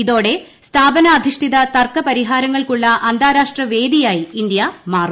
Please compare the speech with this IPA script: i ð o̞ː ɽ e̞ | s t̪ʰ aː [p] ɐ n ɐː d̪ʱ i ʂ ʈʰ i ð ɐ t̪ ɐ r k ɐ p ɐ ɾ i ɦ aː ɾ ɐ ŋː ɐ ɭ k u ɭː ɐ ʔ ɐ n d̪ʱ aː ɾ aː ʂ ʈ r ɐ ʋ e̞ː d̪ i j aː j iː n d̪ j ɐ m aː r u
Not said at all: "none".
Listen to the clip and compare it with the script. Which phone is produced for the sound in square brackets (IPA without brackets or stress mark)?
b